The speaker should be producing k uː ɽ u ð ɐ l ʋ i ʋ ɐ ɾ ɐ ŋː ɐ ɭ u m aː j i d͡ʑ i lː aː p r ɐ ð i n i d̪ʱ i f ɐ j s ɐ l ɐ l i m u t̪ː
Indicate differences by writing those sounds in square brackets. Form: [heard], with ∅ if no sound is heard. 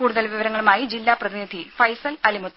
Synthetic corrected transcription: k uː ɽ u ð ɐ l ʋ i ʋ ɐ ɾ ɐ ŋː ɐ ɭ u m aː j i d͡ʑ i lː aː p r ɐ ð i n i d̪ʱ i f ɐ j s ɐ l ɐ l i m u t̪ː